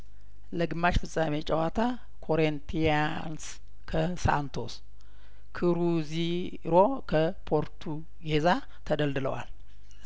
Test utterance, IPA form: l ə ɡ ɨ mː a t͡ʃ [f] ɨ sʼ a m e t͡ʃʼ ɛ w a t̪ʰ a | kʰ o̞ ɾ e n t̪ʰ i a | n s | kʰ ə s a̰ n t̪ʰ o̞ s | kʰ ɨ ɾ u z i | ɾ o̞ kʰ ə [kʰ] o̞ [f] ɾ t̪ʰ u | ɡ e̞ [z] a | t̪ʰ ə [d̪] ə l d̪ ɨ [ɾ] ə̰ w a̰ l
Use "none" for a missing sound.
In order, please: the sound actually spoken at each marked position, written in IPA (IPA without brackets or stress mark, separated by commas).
f, pʰ, none, z, d̪, l